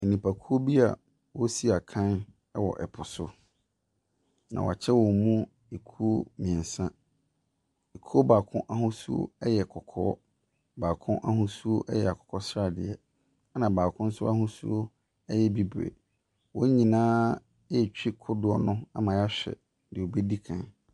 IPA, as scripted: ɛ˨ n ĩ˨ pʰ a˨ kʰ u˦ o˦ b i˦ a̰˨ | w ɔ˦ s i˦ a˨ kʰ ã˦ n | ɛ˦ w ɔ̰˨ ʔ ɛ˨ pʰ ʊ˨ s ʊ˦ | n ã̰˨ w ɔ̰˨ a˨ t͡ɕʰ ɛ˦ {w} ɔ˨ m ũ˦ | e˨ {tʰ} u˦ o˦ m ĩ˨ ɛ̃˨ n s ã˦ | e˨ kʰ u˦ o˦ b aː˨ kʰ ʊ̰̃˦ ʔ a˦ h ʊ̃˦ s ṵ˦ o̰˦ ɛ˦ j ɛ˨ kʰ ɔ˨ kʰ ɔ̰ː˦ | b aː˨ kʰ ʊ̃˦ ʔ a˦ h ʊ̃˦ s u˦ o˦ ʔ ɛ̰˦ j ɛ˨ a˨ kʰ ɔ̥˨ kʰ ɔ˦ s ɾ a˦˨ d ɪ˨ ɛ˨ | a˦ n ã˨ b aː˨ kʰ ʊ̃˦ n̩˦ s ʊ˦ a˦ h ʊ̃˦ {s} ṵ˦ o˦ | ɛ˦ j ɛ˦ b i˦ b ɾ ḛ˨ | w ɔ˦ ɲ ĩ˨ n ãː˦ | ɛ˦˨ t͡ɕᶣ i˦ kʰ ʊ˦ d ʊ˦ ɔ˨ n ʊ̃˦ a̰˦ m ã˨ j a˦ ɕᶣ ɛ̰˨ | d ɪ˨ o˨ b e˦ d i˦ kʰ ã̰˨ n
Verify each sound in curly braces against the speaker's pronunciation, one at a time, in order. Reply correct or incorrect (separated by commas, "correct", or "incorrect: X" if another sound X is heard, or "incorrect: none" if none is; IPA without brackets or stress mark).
correct, incorrect: kʰ, correct